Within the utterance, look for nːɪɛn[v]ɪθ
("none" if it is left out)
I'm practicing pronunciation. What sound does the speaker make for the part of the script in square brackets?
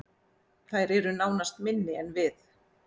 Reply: v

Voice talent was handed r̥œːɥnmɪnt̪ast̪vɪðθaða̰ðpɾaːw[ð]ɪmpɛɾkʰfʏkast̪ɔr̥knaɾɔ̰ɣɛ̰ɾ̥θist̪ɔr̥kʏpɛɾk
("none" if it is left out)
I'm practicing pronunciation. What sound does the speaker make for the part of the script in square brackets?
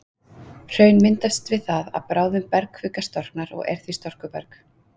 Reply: ð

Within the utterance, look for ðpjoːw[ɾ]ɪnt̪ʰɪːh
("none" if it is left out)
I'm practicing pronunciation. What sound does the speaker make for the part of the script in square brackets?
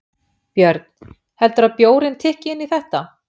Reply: ɾ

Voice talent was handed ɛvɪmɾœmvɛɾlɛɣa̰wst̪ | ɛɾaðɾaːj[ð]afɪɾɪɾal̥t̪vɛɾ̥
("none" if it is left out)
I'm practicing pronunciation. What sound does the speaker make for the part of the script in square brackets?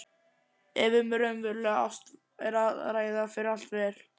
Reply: ð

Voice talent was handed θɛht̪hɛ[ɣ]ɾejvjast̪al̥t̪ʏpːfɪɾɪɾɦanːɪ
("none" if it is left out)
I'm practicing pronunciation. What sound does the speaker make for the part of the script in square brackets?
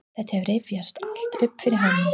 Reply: v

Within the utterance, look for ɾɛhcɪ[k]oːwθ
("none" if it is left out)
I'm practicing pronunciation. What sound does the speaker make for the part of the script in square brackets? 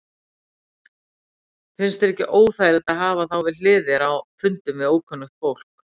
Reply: ʔ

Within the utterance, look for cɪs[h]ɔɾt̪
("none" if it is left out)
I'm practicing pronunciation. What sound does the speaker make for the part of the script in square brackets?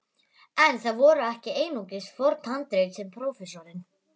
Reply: f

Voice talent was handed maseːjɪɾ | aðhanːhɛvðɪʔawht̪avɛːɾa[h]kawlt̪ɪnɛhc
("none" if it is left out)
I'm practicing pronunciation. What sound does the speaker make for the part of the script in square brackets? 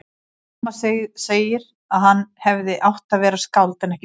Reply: s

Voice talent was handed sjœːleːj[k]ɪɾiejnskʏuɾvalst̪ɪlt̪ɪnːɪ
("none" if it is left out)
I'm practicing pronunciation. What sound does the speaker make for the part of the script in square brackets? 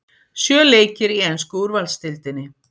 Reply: c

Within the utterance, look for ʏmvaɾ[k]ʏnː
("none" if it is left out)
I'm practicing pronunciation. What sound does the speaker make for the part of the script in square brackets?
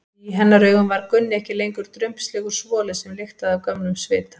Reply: k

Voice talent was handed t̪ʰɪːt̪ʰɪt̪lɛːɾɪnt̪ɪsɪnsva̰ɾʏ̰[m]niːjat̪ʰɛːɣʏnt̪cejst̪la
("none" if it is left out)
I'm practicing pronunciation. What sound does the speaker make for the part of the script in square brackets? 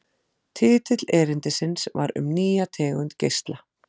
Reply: m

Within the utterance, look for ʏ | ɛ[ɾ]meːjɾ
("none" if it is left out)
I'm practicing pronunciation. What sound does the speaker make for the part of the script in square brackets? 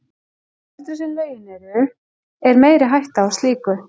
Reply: ɾ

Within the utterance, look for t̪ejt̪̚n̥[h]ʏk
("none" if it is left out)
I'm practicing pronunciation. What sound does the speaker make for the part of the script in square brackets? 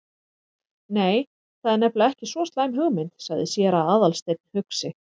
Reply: h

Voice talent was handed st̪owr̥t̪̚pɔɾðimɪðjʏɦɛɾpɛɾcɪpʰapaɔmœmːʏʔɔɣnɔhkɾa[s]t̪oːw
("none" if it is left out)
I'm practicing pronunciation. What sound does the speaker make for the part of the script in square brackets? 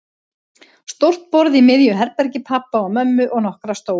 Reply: s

